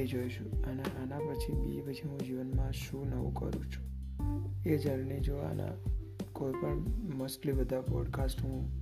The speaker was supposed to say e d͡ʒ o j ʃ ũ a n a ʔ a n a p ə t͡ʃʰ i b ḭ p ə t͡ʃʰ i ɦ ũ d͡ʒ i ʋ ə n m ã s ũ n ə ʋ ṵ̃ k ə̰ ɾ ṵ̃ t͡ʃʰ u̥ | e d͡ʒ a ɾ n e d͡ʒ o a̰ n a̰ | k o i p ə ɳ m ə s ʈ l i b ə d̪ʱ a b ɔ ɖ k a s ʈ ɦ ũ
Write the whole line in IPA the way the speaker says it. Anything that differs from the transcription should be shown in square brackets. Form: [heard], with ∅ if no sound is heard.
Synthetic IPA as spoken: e d͡ʒ o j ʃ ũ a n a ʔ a n a p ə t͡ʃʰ i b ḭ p ə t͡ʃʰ i ɦ ũ d͡ʒ i ʋ ə n m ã [ʃ] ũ n ə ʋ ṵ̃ k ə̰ ɾ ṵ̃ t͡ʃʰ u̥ | e d͡ʒ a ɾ n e d͡ʒ o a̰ n a̰ | k o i p ə ɳ m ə s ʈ l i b ə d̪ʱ a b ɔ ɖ k a s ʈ ɦ ũ